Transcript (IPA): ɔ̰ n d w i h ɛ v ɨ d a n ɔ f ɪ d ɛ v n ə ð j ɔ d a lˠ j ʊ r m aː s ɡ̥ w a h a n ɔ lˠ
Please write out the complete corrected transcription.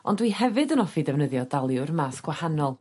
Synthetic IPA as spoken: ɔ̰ n d w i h ɛ v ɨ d ə n ɔ f i d ɛ v n ə ð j ɔ d a lˠ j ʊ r m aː s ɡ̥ w a h a n ɔ lˠ